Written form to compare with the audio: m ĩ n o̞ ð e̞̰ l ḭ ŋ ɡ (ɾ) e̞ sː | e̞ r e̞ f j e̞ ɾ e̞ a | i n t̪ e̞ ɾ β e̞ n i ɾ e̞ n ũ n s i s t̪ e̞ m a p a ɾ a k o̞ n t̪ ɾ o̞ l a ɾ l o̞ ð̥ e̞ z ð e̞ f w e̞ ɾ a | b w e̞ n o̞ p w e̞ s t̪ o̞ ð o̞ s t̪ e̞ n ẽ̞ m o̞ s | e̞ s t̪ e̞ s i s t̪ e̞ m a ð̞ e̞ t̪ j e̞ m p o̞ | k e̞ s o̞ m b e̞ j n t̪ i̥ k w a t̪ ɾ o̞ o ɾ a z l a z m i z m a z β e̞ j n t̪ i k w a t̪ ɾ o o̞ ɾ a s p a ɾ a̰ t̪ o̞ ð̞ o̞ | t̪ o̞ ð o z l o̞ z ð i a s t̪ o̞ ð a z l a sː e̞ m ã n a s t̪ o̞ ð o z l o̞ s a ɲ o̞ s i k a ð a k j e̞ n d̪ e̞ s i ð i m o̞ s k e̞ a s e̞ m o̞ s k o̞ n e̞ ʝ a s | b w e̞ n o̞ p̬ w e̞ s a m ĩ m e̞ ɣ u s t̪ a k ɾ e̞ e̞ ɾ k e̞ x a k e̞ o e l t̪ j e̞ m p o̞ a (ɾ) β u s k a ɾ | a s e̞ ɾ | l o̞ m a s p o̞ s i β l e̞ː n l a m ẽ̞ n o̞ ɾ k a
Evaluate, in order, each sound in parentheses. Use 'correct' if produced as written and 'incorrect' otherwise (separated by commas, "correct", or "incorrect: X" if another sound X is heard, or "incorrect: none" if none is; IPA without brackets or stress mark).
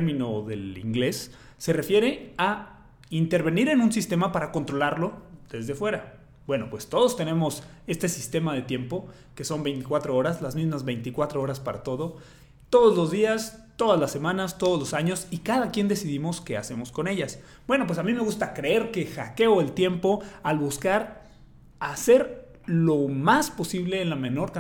incorrect: l, incorrect: l